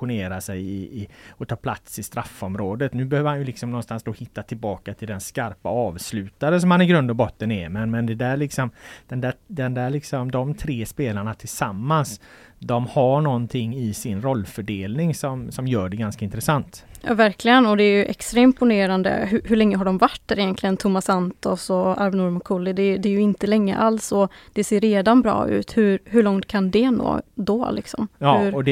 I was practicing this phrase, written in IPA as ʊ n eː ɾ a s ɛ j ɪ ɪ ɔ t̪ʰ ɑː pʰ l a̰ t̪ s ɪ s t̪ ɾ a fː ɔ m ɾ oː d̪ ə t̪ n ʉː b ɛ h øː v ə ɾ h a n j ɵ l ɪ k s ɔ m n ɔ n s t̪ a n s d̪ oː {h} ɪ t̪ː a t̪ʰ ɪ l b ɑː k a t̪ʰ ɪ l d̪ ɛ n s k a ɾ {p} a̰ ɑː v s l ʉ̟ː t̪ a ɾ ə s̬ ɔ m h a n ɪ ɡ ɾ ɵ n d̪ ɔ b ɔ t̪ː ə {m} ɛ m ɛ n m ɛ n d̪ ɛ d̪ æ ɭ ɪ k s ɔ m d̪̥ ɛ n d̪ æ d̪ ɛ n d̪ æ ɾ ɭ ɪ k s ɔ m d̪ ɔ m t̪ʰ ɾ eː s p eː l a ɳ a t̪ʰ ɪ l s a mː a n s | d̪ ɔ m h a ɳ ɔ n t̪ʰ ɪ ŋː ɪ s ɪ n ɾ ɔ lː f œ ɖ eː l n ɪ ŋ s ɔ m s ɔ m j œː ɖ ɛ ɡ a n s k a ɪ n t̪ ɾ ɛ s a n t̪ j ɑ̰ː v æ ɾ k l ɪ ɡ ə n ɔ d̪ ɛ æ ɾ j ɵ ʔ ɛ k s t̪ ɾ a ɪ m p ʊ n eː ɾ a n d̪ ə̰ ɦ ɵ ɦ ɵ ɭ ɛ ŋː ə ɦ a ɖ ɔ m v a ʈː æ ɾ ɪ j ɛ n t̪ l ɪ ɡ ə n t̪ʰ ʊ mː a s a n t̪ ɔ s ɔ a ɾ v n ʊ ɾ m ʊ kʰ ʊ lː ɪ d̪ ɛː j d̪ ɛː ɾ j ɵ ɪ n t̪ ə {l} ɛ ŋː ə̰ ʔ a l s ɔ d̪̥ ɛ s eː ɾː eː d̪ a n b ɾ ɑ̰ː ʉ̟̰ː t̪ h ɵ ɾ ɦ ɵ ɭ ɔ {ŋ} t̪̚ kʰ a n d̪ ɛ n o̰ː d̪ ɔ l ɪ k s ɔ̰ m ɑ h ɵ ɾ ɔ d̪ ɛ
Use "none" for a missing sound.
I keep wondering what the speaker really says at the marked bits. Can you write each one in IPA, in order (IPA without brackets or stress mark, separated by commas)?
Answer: h, p, n, l, ŋ